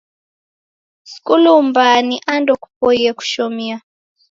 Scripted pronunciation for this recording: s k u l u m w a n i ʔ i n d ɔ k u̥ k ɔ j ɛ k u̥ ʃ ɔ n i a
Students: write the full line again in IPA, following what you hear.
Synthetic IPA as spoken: s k u l u m b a n i ʔ a n d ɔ k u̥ p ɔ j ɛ k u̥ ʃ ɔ m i a

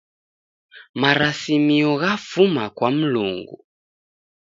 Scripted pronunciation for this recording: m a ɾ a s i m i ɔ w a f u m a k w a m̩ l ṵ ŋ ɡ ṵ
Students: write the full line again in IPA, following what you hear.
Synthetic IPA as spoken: m a ɾ a s i m i ɔ ɣ a f u m a k w a m̩ l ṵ ŋ ɡ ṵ

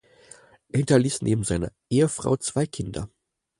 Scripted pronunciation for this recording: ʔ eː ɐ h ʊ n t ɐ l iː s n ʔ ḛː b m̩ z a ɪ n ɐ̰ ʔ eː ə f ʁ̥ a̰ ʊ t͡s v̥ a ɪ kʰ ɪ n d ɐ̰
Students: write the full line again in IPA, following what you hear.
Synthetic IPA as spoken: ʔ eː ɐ h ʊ n t ɐ l iː s n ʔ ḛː b m̩ z a ɪ n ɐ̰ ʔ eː ə f ʁ̥ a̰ ʊ t͡s v̥ a ɪ kʰ ɪ n d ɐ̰

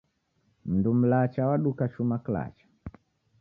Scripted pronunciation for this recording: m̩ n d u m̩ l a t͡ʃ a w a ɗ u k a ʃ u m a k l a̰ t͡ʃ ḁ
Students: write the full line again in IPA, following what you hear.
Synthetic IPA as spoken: m̩ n d u m̩ l a t͡ʃ a w a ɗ u k a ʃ u m a k l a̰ t͡ʃ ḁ

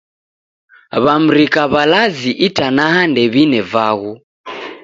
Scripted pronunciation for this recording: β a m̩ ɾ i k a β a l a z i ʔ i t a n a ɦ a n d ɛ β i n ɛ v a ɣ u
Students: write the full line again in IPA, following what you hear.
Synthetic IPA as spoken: β a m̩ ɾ i k a β a l a z i ʔ i t a n a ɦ a n d ɛ β i n ɛ v a ɣ u

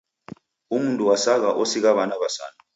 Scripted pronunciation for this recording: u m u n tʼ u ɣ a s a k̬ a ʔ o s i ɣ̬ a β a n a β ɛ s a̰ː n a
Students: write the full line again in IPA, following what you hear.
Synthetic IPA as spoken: u m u n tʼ u w a s a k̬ a ʔ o s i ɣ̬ a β a n a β a s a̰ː n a

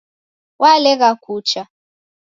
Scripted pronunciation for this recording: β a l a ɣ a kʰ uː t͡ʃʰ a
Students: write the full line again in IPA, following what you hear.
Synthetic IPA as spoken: w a l ɛ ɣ a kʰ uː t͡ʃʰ a

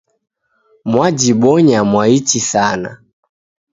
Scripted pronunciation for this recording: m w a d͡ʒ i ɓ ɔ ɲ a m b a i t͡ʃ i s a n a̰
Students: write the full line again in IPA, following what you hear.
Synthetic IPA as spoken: m w a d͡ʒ i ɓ ɔ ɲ a m w a i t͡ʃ i s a n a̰

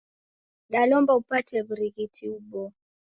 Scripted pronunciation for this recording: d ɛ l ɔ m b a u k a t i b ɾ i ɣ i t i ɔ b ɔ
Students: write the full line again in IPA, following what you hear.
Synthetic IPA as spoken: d a l ɔ m b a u p a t ɛ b ɾ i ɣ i t i u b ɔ

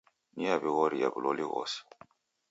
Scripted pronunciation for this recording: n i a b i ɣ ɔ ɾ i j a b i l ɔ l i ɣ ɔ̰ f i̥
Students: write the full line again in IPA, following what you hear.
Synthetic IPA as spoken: n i a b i ɣ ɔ ɾ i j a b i l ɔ l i ɣ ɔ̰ s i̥

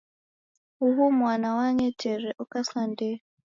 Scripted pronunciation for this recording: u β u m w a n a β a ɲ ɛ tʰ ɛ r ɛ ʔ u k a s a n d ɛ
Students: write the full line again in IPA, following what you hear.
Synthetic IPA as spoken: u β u m w a n a w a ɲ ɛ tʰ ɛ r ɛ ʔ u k a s a n d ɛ

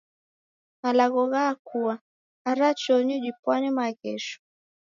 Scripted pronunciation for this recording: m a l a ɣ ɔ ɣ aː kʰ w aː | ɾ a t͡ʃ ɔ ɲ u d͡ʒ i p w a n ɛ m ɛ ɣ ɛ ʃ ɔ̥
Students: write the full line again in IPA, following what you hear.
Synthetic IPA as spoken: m a l a ɣ ɔ ɣ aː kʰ u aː | ɾ a t͡ʃ ɔ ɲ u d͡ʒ i p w a n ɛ m a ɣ ɛ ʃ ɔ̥

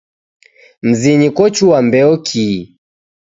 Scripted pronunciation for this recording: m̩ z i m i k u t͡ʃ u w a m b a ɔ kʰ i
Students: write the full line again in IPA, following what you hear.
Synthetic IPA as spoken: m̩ z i ɲ i k ɔ t͡ʃ u w a m b ɛ ɔ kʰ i

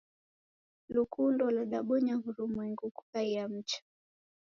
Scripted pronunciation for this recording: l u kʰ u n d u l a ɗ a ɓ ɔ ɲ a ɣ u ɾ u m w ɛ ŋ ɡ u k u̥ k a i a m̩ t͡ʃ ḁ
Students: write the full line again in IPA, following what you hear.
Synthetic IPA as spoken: l u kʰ u n d ɔ l a ɗ a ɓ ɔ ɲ a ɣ u ɾ u m w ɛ ŋ ɡ u k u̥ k a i a m̩ t͡ʃ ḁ

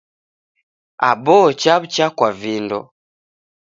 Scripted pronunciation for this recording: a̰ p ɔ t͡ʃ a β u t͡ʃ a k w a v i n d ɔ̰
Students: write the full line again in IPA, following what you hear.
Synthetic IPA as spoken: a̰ b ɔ t͡ʃ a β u t͡ʃ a k w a v i n d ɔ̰

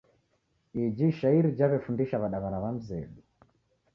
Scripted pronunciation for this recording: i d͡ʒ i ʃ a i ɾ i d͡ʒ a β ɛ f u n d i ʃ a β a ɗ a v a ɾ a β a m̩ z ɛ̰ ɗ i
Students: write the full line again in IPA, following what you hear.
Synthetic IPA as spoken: i d͡ʒ i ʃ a i ɾ i d͡ʒ a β ɛ f u n d i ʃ a β a ɗ a β a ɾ a β a m̩ z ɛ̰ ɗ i

